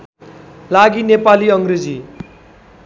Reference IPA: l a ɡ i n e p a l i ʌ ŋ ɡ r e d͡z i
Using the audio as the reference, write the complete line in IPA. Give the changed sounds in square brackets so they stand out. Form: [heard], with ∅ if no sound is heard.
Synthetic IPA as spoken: l a ɡ i n e p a l i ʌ ŋ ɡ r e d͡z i